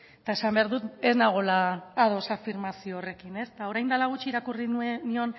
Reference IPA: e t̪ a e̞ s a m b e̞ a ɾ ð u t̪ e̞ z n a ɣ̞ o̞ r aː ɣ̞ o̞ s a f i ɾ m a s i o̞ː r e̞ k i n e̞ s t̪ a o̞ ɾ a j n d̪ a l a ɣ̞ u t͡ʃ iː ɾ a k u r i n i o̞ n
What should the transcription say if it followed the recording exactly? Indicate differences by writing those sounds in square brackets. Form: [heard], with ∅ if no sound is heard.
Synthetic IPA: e t̪ a e̞ s a m b e̞ a ɾ ð u t̪ e̞ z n a ɣ̞ o̞ [l] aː [ð̞] o̞ s a f i ɾ m a s i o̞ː r e̞ k i n e̞ s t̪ a o̞ ɾ a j n d̪ a l a ɣ̞ u t͡ʃ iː ɾ a k u r i n i o̞ n